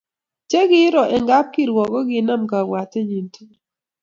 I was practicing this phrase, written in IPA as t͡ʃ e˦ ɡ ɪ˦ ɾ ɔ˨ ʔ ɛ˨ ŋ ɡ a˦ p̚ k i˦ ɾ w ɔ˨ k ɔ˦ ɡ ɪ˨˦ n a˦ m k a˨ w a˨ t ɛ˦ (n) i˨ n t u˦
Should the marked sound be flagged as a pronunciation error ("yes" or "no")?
yes